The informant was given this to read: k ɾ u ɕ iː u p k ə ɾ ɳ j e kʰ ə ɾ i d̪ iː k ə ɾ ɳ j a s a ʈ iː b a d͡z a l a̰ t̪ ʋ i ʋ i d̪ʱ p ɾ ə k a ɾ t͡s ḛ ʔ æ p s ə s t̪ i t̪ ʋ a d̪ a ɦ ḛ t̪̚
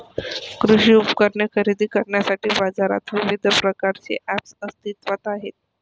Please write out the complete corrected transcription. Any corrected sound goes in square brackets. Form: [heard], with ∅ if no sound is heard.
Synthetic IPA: k ɾ u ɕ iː u p k ə ɾ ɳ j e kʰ ə ɾ i d̪ iː k ə ɾ ɳ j a s a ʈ iː b a d͡z a [ɾ] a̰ t̪ ʋ i ʋ i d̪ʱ p ɾ ə k a ɾ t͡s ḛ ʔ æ p s ə s t̪ i t̪ ʋ a [t̪] a ɦ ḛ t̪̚